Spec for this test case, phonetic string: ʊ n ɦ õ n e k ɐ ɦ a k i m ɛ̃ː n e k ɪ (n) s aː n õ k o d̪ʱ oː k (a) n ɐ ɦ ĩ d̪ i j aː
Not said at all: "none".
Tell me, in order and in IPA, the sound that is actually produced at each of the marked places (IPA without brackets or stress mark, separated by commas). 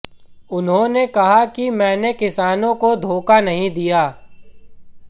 none, a